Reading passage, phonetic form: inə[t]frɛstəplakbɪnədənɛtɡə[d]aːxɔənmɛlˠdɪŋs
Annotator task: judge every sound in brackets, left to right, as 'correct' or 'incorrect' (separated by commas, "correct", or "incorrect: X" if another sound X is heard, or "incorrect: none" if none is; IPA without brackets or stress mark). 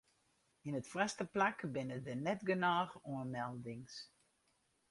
correct, incorrect: n